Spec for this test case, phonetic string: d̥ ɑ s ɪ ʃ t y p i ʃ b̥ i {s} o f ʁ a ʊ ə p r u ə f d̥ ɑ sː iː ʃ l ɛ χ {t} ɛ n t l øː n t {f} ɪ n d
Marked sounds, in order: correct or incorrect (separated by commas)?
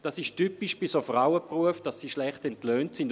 correct, correct, incorrect